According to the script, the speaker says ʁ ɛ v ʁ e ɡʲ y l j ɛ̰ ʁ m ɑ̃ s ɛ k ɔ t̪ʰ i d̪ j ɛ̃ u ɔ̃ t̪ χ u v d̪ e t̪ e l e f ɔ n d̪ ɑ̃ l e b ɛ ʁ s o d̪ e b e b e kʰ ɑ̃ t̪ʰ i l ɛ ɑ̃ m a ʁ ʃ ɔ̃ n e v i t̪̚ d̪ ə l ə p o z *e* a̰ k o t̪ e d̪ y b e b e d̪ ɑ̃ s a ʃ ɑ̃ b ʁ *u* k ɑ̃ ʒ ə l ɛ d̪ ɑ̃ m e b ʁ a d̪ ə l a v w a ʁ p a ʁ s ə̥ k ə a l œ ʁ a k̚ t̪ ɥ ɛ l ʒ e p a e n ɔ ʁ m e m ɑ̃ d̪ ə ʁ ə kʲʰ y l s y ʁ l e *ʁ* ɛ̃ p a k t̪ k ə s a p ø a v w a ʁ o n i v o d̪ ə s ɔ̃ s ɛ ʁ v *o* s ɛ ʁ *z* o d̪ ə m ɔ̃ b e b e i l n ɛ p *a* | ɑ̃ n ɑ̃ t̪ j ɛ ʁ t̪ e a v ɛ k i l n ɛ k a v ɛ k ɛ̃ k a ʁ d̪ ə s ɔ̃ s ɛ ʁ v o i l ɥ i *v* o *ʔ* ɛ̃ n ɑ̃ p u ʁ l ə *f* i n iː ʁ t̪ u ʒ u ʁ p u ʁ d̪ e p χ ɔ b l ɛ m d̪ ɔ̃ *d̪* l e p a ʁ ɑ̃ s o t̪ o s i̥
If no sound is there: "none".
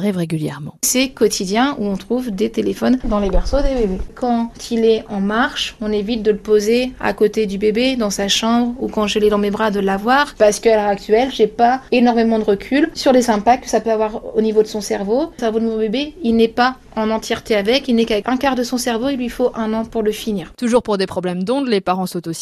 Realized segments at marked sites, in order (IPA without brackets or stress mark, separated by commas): e, u, z, o, v, a, f, ʔ, f, d̪